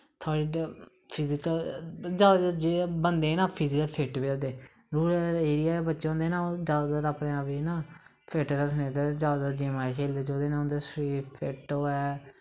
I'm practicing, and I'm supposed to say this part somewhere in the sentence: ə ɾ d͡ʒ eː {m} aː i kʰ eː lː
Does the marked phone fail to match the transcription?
no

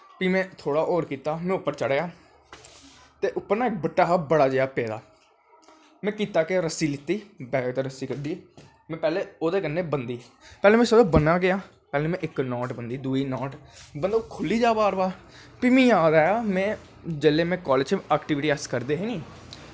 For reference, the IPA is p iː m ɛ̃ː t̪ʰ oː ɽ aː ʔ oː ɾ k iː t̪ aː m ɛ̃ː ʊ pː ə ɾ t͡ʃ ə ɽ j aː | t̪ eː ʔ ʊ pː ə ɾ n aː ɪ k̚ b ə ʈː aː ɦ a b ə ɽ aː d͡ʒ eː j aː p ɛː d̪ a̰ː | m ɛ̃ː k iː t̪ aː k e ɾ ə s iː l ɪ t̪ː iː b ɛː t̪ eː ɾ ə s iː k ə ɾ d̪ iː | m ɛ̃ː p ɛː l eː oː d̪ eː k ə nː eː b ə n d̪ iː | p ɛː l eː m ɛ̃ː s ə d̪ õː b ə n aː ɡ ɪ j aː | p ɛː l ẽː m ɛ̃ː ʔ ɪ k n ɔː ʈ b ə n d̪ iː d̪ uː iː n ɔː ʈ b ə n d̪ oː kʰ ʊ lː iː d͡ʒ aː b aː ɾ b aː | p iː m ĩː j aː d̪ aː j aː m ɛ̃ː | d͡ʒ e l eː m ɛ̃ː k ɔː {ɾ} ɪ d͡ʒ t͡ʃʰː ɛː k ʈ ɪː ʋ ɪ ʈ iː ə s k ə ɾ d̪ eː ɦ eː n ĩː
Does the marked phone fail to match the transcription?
yes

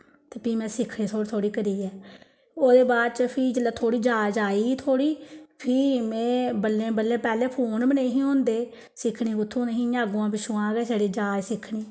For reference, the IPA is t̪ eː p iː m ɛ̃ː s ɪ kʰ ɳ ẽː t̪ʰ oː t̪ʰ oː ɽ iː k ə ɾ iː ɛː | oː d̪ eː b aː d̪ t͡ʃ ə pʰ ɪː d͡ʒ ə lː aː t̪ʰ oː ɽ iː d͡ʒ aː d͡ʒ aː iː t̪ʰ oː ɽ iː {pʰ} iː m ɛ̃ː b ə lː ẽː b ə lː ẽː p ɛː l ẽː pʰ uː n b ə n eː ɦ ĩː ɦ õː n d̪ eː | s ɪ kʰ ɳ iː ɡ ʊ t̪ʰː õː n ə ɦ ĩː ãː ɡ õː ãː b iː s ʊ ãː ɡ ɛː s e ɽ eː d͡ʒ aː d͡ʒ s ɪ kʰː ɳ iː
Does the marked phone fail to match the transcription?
no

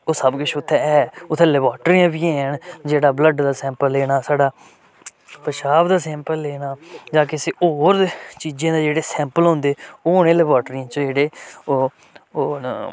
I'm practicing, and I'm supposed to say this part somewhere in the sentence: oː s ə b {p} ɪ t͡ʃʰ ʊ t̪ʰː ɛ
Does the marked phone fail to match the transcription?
yes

